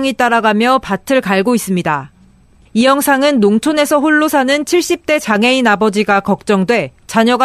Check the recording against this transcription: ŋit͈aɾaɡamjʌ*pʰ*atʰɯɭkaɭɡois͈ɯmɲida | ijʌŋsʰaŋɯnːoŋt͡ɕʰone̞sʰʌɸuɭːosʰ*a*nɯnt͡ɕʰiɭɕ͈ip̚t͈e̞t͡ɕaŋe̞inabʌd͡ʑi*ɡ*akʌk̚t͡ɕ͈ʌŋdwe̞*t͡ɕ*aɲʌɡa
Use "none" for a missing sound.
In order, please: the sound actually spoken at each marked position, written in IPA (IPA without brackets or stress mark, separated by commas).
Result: p, a, ɡ, t͡ɕ